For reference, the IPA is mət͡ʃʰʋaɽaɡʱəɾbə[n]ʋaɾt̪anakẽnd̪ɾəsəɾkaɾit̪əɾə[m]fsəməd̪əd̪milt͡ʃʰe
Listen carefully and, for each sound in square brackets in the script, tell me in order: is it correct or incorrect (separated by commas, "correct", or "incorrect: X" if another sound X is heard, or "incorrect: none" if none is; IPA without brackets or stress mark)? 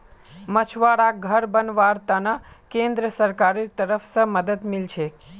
correct, incorrect: none